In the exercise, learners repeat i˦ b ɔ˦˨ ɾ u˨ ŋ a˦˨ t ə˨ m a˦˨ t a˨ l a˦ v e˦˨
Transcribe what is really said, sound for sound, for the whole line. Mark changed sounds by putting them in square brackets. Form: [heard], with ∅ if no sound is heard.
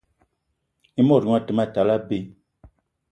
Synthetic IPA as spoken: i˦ [m] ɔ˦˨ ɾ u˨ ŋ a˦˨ t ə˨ m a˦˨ t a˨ l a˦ [b] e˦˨